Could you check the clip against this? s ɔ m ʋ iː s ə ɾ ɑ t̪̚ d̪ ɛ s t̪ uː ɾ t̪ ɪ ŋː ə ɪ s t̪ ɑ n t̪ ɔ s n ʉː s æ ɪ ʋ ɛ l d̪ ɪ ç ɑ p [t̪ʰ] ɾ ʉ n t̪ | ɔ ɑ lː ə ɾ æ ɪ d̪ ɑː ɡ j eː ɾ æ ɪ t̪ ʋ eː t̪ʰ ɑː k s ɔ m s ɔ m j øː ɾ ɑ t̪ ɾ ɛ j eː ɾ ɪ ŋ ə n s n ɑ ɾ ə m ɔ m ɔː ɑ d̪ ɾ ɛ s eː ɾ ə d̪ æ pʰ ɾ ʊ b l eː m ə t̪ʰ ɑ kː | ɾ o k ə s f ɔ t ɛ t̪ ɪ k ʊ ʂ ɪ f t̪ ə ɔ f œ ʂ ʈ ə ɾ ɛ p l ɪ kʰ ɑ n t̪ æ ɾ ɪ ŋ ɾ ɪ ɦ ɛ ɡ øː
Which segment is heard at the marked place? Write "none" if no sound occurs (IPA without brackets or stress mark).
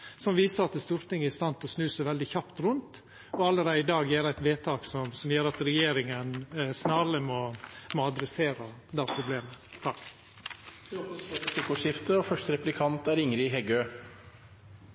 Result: t̪